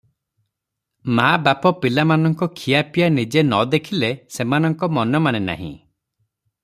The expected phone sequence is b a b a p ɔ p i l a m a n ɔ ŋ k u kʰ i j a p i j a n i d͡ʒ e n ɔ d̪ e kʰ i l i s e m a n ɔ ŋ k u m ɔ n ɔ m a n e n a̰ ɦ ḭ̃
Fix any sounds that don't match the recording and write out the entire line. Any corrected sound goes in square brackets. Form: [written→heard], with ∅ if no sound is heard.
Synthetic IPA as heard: [b→m] a b a p ɔ p i l a m a n ɔ ŋ k [u→ɔ] kʰ i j a p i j a n i d͡ʒ e n ɔ d̪ e kʰ i l [i→e] s e m a n ɔ ŋ k [u→ɔ] m ɔ n ɔ m a n e n a̰ ɦ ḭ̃